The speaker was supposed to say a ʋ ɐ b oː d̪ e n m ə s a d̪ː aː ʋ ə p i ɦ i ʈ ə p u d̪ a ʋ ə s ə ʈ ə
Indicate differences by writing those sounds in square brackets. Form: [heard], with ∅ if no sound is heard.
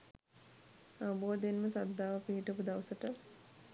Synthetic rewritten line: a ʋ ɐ b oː d̪ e n m ə s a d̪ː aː ʋ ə p i ɦ i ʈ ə p u d̪ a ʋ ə s ə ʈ ə